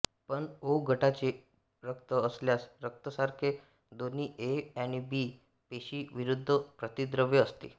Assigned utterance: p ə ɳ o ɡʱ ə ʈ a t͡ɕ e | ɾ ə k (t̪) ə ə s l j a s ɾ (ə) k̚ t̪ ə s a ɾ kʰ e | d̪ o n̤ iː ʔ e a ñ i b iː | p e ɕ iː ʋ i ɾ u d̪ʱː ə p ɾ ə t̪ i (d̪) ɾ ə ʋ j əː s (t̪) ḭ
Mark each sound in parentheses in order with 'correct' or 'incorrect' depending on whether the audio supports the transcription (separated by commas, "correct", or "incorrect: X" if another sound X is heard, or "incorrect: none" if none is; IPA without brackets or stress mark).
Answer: correct, correct, correct, correct